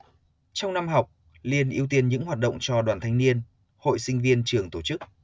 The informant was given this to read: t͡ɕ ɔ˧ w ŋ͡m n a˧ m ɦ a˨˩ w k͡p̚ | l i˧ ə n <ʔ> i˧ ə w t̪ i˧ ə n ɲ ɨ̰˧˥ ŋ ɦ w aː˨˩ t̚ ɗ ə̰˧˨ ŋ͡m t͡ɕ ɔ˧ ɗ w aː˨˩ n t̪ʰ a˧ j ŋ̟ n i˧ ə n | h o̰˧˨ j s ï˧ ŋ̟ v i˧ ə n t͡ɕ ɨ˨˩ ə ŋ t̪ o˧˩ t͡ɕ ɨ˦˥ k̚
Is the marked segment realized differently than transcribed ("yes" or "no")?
no